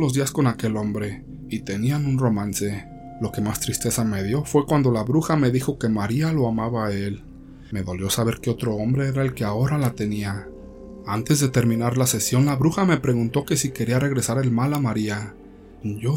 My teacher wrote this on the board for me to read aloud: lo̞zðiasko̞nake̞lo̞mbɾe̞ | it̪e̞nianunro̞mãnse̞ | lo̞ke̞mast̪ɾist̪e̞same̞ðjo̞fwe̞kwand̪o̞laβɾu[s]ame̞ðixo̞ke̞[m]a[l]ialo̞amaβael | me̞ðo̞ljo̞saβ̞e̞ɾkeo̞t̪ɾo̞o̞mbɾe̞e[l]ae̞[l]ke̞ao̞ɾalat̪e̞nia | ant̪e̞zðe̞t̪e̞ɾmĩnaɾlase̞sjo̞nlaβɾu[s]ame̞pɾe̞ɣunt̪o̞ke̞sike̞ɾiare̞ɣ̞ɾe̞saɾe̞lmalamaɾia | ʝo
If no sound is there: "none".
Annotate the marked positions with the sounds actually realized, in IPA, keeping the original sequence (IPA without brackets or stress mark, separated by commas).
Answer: x, m, ɾ, ɾ, l, x